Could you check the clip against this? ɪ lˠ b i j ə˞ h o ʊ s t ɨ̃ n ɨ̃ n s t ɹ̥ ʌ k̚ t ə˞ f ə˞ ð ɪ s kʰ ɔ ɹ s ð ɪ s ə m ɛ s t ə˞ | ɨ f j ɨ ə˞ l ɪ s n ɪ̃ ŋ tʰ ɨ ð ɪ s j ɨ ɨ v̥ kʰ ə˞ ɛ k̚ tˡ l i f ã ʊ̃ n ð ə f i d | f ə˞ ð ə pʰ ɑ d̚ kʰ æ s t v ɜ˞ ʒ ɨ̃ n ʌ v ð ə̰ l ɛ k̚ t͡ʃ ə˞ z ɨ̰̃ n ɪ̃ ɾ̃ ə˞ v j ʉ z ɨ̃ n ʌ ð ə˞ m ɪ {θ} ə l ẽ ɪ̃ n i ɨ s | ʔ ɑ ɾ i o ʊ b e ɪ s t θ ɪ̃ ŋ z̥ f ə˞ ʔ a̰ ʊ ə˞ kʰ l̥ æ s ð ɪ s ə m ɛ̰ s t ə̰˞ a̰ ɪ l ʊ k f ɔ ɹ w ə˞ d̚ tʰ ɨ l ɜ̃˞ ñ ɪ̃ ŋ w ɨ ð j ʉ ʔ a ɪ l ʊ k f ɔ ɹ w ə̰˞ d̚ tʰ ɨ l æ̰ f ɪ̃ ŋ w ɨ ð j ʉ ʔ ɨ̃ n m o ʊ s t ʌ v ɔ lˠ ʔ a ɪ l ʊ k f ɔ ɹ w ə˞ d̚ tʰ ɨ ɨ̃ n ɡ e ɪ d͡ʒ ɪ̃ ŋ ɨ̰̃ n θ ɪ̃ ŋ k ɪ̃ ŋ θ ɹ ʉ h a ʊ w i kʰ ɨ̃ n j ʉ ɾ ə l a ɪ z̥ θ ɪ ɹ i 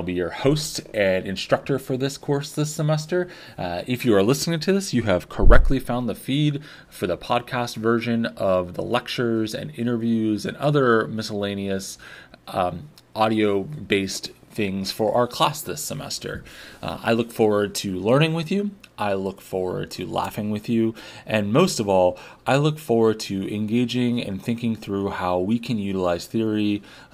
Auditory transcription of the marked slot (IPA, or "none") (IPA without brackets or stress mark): s